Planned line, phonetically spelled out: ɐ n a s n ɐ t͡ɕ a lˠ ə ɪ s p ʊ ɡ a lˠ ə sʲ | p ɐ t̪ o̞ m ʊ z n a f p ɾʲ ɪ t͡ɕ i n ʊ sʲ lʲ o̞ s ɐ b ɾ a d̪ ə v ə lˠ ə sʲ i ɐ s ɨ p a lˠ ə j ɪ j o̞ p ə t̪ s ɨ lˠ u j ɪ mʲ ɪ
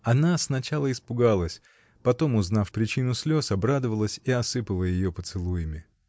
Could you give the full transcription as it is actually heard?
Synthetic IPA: ɐ n a s n ɐ t͡ɕ a lˠ ə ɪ s p ʊ ɡ a lˠ ə sʲ | p ɐ t̪ o̞ m ʊ z n a f p ɾʲ ɪ t͡ɕ i n ʊ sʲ lʲ o̞ s ɐ b ɾ a d̪ ə v ə lˠ ə sʲ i ɐ s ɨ p ə lˠ ə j ɪ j o̞ p ə t̪ s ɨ lˠ u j ɪ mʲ ɪ